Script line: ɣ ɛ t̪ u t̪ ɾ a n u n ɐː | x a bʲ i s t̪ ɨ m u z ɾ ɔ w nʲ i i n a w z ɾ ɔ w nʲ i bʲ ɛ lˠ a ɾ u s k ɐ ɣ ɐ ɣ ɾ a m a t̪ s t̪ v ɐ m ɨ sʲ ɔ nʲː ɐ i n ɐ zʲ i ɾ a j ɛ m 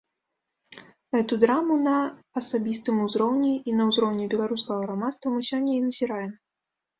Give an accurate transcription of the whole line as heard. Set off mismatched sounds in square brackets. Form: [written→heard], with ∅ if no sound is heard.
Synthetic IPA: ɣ ɛ t̪ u [t̪→d̪] ɾ a [n→m] u n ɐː | [x→s] a bʲ i s t̪ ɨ m u z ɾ ɔ w nʲ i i n [a→ɐ] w z ɾ ɔ w nʲ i bʲ ɛ lˠ a ɾ u s k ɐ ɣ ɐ ɣ ɾ a m a t̪ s t̪ v ɐ m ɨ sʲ ɔ nʲː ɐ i n ɐ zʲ i ɾ a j ɛ m